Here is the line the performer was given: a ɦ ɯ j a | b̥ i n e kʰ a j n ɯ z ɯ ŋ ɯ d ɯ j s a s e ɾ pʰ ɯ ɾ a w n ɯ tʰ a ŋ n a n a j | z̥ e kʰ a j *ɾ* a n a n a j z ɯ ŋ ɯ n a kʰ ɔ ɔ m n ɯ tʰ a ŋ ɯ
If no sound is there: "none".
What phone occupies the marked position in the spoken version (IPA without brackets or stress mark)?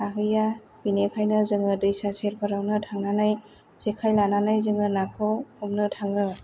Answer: l